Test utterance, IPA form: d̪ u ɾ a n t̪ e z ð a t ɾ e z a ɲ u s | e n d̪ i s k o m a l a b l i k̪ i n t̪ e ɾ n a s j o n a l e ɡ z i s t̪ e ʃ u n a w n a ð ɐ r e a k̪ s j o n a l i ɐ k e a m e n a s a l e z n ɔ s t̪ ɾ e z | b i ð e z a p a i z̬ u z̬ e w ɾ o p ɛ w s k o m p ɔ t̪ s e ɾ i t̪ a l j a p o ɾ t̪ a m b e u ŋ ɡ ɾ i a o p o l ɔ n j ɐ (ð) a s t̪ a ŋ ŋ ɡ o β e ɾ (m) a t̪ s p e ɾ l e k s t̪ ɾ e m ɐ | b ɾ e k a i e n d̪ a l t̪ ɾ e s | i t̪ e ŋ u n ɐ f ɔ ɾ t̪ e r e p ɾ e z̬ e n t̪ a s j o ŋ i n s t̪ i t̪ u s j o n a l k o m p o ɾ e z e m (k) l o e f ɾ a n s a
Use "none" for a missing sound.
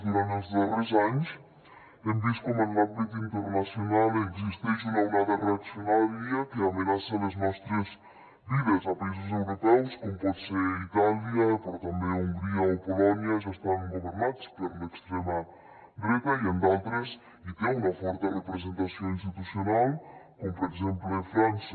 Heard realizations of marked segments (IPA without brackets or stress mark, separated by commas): ʒ, n, p